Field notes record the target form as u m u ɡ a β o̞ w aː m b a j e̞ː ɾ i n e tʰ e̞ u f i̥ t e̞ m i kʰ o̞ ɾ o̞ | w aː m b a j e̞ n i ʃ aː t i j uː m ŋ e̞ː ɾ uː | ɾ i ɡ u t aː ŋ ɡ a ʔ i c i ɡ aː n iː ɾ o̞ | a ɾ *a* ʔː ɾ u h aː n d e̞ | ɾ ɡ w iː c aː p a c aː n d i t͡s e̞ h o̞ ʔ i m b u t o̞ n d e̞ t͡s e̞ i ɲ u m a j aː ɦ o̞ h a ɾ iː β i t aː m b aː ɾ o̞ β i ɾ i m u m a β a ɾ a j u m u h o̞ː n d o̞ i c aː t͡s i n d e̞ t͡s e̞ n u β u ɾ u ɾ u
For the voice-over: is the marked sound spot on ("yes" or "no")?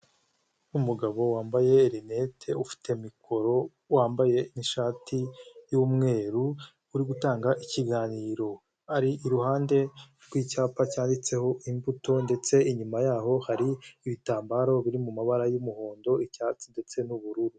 no